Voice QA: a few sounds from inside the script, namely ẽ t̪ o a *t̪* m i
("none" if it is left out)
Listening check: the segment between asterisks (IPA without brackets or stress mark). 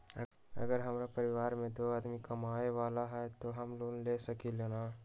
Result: d̪